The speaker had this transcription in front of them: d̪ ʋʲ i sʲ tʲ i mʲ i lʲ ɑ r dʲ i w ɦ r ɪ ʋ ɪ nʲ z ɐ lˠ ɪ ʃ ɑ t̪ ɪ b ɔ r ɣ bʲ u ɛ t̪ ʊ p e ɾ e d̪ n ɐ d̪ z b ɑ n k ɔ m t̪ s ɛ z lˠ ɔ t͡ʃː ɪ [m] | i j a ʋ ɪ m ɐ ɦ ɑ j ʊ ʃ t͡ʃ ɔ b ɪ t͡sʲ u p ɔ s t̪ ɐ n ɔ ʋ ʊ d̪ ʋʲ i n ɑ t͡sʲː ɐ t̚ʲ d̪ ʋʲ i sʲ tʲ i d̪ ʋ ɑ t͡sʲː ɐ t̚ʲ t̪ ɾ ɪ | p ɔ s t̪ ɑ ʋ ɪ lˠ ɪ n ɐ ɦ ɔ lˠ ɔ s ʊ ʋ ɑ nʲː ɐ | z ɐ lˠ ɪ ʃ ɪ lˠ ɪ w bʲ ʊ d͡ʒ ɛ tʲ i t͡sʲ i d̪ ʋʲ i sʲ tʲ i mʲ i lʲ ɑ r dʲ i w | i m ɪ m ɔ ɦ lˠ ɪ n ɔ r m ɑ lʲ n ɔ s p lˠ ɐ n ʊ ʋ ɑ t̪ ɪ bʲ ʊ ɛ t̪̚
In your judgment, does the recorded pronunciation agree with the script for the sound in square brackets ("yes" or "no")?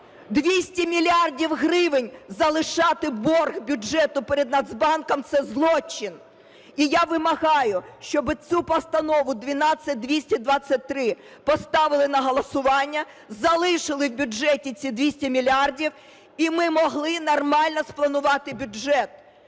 no